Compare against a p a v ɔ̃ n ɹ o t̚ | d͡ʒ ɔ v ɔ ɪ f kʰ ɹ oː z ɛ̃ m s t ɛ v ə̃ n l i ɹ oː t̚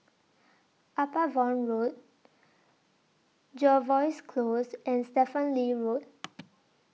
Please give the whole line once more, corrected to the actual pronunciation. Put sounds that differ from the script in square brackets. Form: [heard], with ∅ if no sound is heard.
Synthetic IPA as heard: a p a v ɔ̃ n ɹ o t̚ | d͡ʒ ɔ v ɔ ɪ [s] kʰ [l] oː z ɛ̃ [n] s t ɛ [f] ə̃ n l i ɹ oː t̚